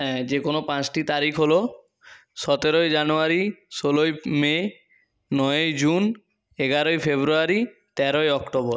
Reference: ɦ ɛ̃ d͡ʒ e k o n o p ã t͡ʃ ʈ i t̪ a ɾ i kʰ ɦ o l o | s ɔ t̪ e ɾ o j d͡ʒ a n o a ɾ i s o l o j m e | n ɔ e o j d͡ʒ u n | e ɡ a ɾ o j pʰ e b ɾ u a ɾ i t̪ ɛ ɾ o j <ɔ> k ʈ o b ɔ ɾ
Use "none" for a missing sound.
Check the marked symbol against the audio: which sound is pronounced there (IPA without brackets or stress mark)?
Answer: ɔ